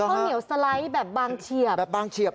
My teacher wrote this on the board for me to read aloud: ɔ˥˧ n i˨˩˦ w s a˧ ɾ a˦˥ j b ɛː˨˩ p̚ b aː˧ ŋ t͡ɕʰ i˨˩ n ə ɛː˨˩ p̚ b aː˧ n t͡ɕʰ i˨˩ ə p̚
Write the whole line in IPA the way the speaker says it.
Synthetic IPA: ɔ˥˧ n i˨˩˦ w s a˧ l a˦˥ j b ɛː˨˩ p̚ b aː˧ ŋ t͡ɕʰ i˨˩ ə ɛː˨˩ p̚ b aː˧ ŋ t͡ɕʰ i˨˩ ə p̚